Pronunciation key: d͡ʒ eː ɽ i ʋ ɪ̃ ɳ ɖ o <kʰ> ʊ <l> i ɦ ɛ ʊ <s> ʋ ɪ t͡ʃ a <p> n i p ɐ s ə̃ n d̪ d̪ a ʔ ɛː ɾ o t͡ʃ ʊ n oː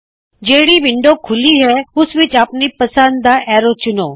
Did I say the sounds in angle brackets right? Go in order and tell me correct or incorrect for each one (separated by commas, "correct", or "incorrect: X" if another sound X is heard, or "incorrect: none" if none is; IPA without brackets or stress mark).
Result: correct, correct, correct, correct